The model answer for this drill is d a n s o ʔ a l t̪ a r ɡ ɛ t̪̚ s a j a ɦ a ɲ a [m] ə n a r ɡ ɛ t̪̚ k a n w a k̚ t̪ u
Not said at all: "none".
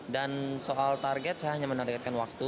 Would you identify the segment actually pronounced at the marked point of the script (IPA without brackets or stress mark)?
m